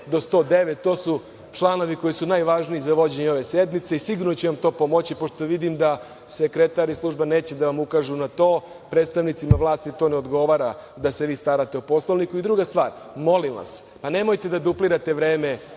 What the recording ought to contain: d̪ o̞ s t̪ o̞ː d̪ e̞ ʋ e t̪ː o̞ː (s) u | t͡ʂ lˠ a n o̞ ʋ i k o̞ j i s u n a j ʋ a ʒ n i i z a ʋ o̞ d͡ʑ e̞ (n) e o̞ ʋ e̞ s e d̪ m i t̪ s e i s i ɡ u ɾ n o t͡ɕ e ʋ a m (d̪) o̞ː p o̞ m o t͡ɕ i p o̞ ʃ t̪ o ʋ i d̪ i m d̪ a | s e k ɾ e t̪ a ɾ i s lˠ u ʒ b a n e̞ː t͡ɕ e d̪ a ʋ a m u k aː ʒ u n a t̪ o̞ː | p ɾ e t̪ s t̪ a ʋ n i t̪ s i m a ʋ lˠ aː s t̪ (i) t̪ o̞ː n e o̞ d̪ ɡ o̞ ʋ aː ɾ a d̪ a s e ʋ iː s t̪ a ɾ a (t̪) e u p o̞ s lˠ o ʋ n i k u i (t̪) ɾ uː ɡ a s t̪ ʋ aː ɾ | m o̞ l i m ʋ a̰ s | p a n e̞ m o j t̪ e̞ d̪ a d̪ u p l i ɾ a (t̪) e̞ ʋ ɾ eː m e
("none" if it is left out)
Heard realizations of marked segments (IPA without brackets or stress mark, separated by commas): s, ɲ, t̪, i, t̪, d̪, t̪